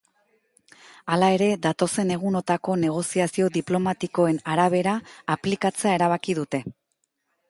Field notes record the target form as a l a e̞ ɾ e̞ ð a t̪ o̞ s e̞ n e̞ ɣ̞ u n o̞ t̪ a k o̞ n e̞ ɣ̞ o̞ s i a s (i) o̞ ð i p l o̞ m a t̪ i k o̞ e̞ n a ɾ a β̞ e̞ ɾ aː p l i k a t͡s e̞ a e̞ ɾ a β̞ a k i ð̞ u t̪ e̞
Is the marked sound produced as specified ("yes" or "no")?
yes